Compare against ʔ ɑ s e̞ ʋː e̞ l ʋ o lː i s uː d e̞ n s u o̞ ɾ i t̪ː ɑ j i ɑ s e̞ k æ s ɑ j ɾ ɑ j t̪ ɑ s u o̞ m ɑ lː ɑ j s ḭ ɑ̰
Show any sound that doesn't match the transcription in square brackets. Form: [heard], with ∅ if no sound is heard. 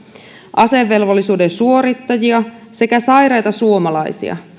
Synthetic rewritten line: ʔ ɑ s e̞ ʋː e̞ l ʋ o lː i s uː d e̞ n s u o̞ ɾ i t̪ː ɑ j i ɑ s e̞ k æ s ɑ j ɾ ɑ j t̪ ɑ s u o̞ m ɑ [l] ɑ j s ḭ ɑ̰

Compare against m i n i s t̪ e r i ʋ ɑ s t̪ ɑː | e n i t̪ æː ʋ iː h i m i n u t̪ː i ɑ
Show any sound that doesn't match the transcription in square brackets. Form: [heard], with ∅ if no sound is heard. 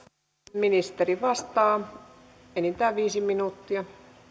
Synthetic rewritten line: m i n i s t̪ e r i ʋ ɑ s t̪ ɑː | e n i t̪ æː ʋ iː [s] i m i n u t̪ː i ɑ

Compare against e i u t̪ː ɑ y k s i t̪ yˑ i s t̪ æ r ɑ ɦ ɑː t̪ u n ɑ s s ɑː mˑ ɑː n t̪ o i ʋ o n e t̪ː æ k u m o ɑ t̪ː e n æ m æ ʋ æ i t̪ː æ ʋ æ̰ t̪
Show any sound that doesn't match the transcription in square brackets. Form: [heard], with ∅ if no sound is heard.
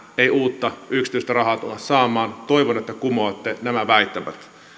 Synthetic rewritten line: e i [uː] t̪ː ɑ y k s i t̪ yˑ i s t̪ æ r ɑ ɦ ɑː t̪ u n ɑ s s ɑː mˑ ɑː n t̪ o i ʋ o n e t̪ː æ k u m o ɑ t̪ː e n æ m æ ʋ æ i t̪ː æ ʋ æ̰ t̪

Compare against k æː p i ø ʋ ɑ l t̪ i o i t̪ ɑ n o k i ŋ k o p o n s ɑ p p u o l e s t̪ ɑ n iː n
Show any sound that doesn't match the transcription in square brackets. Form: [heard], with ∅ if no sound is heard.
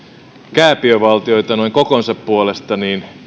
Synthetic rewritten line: k æː p i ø ʋ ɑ l t̪ i o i t̪ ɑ n o [∅] i ŋ k o [k] o n s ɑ p p u o l e s t̪ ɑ n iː n

